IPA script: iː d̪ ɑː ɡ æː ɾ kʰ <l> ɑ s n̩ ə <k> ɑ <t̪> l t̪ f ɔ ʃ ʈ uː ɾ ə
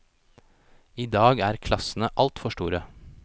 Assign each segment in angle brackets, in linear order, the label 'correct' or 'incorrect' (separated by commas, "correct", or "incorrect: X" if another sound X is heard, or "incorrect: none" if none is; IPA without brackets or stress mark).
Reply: correct, incorrect: ʔ, incorrect: none